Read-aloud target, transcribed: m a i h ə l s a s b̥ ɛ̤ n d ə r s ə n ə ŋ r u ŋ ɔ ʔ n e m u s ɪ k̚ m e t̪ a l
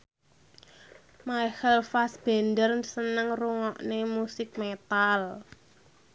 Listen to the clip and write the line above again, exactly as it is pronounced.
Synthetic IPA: m a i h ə l f a s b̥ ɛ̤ n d ə r s ə n ə ŋ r u ŋ ɔ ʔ n e m u s ɪ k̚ m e t̪ a l